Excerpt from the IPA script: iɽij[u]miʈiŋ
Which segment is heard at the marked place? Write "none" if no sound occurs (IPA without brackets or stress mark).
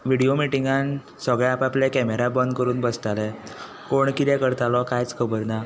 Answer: o